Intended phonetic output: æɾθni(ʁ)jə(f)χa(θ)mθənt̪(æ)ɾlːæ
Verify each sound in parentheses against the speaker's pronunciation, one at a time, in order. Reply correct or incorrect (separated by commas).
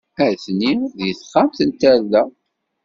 incorrect, incorrect, incorrect, correct